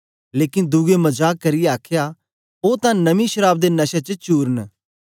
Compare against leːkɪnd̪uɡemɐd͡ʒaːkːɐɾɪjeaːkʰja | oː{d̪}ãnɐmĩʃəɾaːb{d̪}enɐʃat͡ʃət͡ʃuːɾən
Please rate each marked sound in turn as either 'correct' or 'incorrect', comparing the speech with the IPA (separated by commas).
incorrect, correct